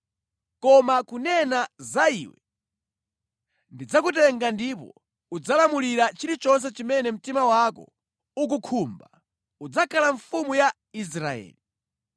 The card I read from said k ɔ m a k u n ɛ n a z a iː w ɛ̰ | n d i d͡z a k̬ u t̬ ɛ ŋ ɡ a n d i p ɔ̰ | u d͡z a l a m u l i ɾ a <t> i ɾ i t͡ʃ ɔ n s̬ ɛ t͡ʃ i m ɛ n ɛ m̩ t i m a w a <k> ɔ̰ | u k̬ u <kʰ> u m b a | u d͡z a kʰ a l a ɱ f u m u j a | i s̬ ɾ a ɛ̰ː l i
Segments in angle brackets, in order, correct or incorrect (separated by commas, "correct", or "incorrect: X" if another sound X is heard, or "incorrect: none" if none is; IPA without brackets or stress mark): incorrect: t͡ʃ, correct, correct